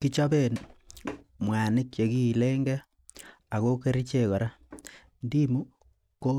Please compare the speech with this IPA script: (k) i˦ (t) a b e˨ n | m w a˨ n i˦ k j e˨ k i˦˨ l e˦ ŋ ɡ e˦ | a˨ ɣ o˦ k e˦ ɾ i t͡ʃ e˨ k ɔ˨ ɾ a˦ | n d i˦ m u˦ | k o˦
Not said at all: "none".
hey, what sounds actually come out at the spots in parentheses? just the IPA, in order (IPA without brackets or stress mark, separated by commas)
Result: k, t͡ʃ